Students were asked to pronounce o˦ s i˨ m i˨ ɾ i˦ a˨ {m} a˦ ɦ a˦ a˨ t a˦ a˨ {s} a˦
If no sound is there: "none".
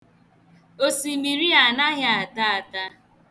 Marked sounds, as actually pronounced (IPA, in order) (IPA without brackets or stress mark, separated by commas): n, t